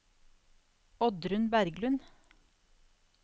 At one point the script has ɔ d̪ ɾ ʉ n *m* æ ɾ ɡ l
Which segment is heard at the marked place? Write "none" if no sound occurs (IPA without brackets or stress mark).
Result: b